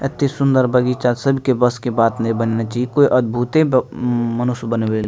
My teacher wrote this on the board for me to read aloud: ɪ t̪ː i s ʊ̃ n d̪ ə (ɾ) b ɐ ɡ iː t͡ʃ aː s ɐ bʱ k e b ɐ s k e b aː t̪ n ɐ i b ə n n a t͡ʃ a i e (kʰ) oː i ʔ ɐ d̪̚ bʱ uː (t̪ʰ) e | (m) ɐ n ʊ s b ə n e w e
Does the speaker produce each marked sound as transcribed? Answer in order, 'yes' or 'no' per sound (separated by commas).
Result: yes, no, no, yes